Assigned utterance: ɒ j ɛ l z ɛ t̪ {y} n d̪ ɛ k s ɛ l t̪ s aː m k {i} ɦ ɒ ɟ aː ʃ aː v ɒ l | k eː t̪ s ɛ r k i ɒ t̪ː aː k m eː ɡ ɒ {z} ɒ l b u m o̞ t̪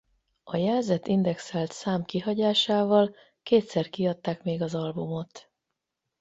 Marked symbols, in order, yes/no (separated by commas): no, yes, yes